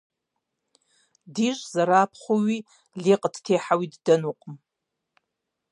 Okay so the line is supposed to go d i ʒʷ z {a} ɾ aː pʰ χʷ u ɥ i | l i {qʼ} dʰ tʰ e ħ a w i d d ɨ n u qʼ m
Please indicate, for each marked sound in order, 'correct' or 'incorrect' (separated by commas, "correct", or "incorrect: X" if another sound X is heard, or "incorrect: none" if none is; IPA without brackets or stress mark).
correct, correct